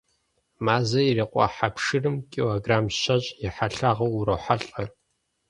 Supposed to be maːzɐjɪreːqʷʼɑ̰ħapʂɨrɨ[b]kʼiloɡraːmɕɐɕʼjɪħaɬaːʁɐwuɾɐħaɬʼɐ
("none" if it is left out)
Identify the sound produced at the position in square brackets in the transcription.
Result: m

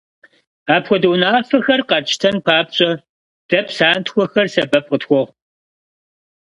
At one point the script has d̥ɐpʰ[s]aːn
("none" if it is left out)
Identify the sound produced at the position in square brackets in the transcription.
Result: s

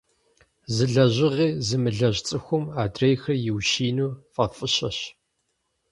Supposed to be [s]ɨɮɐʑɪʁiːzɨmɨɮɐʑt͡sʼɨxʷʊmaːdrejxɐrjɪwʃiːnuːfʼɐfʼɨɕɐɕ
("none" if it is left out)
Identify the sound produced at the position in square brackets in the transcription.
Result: z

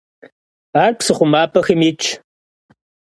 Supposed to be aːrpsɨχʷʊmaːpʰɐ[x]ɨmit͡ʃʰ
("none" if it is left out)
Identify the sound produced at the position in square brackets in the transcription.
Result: x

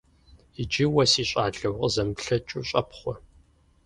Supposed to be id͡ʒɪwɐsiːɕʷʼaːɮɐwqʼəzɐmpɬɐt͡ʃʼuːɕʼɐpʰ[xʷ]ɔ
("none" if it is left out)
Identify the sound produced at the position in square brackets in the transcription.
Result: χʷ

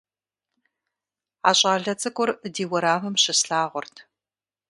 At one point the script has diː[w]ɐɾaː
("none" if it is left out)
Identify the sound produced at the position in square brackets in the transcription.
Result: w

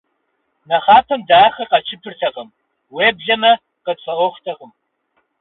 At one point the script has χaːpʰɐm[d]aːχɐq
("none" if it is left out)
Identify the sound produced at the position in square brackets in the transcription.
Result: d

